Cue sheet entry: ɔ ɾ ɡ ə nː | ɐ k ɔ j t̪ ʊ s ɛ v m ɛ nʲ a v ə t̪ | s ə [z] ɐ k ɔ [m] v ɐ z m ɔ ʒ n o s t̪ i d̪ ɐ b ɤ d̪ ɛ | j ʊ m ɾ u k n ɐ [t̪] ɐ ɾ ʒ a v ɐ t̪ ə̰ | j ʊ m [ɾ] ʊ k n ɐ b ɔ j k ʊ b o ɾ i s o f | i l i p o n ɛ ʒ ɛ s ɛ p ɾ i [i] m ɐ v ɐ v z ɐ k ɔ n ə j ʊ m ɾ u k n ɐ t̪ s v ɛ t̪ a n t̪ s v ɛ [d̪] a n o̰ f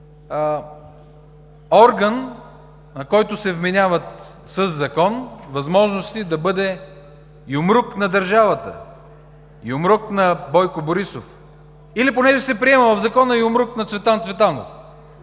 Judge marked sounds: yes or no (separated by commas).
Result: no, no, no, yes, no, no